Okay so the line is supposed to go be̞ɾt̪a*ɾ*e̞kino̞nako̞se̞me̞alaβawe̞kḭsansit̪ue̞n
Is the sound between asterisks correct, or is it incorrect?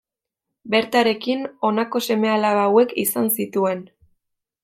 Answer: correct